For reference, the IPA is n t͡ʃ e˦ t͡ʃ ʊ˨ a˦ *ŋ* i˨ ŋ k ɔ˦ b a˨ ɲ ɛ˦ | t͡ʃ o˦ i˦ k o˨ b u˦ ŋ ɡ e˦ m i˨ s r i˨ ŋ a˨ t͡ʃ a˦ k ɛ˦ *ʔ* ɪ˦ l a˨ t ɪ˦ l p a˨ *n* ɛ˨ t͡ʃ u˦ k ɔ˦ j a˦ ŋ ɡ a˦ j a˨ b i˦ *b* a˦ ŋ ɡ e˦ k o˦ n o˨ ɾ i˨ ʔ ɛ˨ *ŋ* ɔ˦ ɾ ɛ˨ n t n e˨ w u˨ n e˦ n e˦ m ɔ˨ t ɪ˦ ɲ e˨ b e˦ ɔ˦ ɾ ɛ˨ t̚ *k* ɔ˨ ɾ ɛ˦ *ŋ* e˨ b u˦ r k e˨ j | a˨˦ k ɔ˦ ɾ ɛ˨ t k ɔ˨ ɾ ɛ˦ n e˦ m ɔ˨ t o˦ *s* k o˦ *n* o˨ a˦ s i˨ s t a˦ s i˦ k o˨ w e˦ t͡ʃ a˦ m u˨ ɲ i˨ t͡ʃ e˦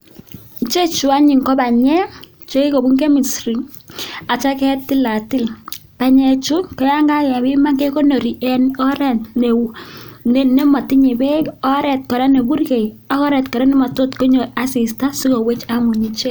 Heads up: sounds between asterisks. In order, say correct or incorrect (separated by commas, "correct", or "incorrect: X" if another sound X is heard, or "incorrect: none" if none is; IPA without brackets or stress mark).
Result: incorrect: ɲ, incorrect: t, incorrect: ɲ, incorrect: m, incorrect: n, correct, incorrect: n, incorrect: t, incorrect: ɲ